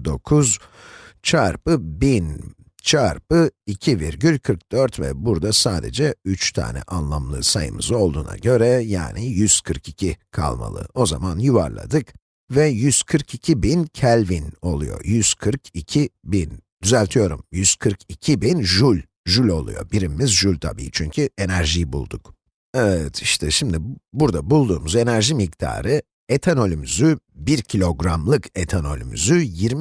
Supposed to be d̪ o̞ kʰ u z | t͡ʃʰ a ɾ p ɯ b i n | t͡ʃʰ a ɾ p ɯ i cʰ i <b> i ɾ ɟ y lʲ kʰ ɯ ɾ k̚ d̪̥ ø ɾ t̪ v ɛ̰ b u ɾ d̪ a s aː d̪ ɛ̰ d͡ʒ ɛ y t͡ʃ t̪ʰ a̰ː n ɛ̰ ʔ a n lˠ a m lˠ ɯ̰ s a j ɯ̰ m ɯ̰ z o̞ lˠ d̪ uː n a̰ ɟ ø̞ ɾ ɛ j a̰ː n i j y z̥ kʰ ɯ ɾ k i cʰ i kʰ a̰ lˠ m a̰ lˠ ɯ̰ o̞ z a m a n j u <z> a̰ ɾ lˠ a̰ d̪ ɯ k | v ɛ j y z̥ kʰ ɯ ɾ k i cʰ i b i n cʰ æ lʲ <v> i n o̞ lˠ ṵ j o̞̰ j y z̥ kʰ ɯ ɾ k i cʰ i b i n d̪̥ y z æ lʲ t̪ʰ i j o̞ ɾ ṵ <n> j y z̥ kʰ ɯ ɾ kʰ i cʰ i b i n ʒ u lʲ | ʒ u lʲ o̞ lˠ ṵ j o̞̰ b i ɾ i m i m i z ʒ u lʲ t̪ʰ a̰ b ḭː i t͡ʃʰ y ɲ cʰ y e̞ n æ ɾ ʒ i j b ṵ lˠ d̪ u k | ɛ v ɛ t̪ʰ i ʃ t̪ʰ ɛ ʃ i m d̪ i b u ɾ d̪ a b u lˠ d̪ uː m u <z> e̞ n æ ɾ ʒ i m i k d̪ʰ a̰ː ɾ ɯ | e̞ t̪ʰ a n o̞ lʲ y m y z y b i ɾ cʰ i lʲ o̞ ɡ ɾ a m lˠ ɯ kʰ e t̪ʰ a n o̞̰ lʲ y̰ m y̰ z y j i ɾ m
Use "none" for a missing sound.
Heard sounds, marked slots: v, v, v, m, z

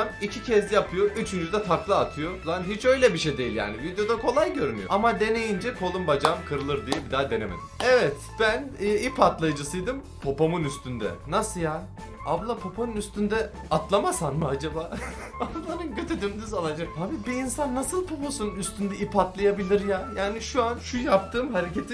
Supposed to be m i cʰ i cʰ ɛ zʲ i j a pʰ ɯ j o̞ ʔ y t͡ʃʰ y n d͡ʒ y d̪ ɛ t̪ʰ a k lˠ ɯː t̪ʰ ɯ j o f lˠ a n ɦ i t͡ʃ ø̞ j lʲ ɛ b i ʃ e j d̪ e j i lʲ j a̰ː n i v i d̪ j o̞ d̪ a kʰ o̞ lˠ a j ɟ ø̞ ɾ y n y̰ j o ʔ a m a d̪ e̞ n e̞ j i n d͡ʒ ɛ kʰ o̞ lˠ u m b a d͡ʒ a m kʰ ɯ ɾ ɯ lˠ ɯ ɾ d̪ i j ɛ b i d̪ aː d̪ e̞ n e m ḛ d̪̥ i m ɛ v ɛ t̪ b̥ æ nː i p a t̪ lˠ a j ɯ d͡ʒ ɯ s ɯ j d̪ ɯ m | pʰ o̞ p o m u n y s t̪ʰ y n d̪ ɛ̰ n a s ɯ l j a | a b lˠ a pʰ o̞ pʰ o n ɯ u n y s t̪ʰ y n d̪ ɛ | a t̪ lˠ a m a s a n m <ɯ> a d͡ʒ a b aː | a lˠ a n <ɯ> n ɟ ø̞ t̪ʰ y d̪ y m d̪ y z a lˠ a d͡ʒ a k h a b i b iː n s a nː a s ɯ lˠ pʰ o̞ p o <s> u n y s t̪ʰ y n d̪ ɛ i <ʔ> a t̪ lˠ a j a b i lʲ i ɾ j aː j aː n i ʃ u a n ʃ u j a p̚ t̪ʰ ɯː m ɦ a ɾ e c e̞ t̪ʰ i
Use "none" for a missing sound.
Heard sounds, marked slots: ɯ, ɯ, s, p

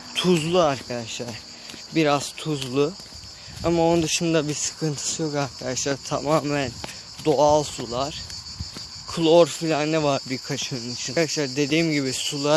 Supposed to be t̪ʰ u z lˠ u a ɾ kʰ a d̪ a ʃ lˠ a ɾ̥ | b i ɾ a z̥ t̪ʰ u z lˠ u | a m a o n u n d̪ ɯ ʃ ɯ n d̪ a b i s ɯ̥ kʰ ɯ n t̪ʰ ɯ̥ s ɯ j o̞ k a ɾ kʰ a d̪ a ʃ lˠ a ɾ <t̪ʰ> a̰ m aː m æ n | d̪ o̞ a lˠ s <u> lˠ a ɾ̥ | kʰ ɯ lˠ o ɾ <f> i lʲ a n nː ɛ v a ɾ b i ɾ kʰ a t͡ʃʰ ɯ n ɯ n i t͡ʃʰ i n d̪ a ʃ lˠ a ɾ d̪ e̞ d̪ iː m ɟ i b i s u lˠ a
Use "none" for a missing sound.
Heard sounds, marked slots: t̪ʰ, u, f

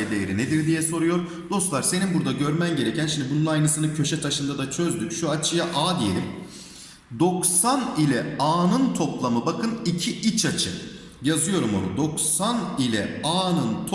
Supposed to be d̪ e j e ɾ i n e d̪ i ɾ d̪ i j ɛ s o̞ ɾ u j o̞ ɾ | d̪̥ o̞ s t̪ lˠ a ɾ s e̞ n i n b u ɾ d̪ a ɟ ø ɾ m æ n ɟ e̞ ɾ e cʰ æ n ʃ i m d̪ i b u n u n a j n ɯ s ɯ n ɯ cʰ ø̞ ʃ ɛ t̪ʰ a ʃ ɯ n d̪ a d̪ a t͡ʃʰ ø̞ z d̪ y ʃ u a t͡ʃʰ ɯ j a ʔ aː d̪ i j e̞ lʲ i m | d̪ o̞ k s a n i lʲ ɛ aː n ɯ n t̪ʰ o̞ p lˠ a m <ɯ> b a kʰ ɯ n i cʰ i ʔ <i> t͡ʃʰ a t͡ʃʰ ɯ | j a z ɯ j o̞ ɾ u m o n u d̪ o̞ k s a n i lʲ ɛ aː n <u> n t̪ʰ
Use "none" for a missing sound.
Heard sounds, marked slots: ɯ, i, ɯ

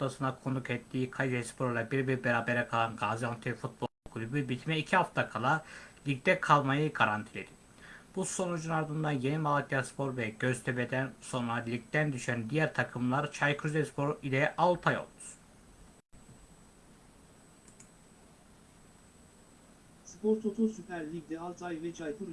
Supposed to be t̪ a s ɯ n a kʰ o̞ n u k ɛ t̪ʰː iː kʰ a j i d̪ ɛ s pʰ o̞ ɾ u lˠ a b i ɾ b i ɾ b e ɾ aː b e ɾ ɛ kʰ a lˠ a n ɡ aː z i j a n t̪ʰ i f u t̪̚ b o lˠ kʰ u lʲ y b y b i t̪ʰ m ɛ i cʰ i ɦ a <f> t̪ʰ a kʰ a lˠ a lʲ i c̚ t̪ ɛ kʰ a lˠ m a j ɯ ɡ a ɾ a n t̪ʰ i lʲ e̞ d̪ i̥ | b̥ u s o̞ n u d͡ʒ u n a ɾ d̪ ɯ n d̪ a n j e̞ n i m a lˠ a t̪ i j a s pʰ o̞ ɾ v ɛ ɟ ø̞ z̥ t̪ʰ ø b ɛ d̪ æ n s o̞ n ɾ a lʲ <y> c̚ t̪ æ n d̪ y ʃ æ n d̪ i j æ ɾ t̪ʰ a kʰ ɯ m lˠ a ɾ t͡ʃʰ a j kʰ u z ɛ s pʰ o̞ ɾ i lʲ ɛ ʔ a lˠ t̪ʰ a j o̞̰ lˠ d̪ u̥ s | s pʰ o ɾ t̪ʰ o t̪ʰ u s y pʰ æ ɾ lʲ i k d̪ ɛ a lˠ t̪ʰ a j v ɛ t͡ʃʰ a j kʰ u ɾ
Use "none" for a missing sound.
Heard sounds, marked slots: f, i

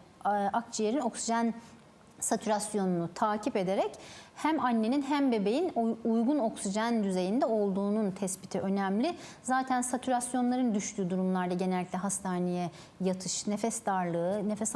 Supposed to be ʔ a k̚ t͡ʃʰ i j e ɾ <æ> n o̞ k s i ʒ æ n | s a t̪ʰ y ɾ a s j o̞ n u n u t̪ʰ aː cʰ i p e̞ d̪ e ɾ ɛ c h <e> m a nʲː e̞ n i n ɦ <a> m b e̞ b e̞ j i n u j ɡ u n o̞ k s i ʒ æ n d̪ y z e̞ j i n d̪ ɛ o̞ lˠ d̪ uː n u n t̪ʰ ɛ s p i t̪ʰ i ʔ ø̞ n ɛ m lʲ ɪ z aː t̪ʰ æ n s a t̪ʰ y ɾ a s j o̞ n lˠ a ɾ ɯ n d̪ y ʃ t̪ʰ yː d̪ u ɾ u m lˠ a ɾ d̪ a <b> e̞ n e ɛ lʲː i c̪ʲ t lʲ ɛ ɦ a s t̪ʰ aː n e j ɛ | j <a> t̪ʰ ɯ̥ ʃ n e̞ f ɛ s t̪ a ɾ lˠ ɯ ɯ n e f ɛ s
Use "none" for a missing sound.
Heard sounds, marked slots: i, æ, æ, ɟ, a

